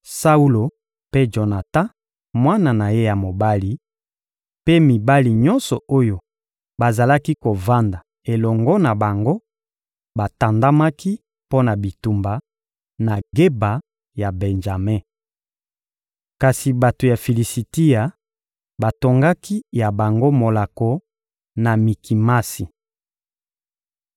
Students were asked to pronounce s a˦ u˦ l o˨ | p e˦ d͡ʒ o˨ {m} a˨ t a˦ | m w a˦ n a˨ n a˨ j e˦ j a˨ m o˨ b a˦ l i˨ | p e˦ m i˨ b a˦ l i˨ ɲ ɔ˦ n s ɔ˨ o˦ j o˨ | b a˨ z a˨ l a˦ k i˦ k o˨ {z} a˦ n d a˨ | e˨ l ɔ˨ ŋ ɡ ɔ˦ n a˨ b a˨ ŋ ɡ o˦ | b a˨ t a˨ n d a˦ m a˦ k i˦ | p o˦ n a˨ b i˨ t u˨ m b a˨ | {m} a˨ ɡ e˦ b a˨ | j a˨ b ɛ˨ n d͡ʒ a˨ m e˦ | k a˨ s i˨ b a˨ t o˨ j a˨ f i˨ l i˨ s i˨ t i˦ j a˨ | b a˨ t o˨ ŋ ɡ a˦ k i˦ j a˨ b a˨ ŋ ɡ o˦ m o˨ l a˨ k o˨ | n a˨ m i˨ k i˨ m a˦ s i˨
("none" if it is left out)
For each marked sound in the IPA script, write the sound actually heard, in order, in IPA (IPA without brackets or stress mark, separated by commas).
n, v, n